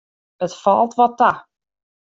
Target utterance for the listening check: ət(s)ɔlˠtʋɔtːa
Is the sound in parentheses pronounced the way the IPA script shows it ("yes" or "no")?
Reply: no